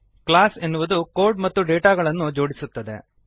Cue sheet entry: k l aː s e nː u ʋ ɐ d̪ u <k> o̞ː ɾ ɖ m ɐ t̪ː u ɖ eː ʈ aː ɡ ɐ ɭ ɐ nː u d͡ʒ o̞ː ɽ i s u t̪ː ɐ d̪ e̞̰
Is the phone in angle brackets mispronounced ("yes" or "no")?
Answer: no